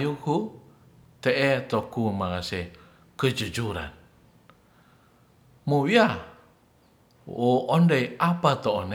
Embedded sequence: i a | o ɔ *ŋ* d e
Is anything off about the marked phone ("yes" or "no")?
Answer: yes